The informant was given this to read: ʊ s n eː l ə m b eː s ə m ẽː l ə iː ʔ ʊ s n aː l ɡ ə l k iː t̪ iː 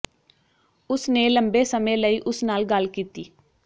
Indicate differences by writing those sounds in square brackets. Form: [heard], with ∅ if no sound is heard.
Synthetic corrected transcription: ʊ s n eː l ə m b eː s ə m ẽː l ə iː ʔ ʊ s n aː l ɡ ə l k iː t̪ iː